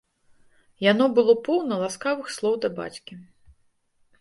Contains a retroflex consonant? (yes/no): no